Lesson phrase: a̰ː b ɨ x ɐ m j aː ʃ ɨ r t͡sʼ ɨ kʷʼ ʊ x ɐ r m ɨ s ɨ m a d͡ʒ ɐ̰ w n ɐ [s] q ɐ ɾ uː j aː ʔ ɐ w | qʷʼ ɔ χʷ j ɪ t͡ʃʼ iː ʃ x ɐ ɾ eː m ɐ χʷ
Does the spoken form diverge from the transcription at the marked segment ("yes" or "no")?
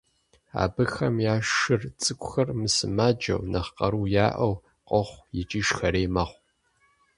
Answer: yes